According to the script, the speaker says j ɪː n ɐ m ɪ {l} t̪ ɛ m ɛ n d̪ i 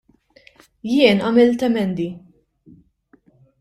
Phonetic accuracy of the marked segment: correct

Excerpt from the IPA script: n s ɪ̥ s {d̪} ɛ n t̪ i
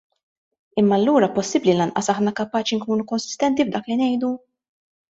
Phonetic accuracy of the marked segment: incorrect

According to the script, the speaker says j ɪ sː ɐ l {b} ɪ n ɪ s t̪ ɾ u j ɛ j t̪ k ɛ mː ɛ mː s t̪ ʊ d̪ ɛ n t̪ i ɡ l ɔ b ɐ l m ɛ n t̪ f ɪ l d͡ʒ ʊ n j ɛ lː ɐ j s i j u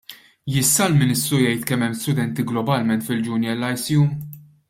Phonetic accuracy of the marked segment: incorrect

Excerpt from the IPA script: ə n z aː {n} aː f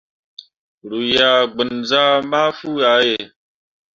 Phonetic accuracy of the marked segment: incorrect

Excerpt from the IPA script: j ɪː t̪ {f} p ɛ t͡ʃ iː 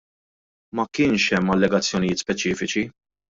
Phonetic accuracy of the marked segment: incorrect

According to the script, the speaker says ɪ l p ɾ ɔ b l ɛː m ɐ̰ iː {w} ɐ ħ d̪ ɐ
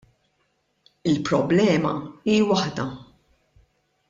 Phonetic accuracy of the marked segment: correct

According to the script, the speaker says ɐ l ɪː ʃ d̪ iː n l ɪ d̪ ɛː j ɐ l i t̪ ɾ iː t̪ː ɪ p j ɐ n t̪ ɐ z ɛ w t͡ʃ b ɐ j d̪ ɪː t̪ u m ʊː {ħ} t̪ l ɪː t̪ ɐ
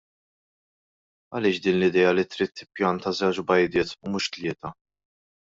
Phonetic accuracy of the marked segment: incorrect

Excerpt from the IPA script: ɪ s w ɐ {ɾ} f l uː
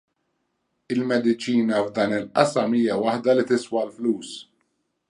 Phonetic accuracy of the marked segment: incorrect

